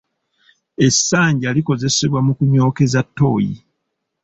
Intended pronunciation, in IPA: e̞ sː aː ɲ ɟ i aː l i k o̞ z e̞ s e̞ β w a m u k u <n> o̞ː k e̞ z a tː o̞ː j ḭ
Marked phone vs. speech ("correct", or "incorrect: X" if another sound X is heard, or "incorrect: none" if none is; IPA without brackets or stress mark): incorrect: ɲ